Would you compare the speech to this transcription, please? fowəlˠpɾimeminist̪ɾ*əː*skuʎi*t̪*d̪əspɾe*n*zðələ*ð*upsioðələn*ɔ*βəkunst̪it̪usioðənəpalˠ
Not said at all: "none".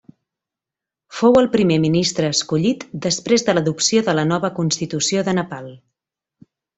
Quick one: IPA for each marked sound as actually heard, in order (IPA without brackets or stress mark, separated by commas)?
əː, t̪, none, ð, ɔ